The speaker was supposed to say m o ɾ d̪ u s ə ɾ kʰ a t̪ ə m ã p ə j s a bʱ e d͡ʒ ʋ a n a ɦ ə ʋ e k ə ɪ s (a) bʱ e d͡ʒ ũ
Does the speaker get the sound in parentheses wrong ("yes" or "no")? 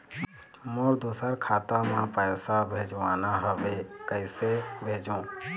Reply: yes